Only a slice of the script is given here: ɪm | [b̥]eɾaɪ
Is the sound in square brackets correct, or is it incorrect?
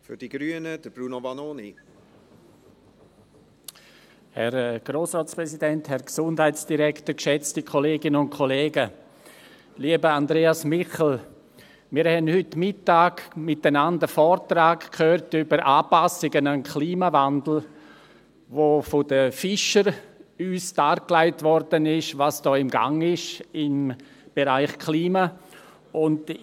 correct